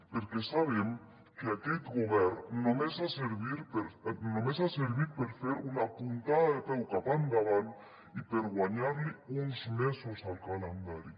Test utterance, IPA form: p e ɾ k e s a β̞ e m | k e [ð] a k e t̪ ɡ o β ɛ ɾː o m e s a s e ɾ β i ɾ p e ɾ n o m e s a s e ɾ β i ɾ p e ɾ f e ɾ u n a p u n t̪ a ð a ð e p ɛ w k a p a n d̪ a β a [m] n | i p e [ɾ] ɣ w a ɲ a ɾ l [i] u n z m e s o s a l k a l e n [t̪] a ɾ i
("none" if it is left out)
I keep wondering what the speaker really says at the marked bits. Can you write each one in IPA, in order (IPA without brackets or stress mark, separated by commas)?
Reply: none, none, ɾ, i, d̪